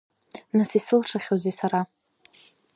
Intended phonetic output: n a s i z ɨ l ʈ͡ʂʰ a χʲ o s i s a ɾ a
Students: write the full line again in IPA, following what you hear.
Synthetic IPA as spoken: n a s i s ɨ l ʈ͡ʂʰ a χʲ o z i s a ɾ a